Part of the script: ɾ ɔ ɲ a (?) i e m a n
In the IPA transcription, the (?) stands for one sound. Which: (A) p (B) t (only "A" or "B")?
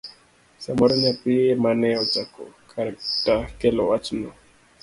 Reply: A